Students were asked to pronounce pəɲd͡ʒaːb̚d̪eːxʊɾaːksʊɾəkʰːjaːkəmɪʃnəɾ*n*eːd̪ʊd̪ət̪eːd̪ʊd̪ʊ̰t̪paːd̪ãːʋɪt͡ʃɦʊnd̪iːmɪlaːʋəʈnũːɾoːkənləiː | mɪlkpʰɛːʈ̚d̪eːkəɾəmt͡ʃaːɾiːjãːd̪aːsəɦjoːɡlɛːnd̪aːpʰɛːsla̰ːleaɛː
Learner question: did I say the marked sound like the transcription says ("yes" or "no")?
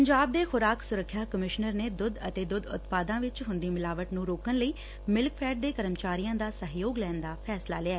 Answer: yes